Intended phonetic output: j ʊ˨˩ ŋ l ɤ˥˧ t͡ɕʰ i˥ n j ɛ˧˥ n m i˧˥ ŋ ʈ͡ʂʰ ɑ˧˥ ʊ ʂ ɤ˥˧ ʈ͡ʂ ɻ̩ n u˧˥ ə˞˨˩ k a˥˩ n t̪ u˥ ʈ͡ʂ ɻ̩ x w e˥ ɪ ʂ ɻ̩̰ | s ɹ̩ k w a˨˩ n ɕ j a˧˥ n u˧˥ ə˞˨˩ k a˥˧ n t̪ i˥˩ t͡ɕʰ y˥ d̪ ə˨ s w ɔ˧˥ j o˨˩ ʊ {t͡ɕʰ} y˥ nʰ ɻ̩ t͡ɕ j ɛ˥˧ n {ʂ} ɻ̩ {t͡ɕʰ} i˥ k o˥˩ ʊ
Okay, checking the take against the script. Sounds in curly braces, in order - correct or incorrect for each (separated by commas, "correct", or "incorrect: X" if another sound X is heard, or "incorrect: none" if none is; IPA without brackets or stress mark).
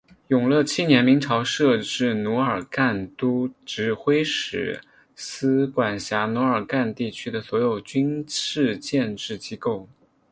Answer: incorrect: t͡ɕ, incorrect: ʈ͡ʂ, incorrect: t͡ɕ